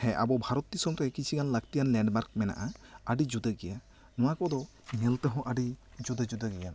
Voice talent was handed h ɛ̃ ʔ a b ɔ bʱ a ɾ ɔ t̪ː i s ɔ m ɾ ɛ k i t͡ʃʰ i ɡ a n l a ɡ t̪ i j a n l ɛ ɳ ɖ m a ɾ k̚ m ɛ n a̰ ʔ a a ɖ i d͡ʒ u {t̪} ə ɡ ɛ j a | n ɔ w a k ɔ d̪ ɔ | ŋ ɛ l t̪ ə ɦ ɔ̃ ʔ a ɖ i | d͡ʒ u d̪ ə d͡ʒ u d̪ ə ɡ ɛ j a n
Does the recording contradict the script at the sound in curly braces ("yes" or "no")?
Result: yes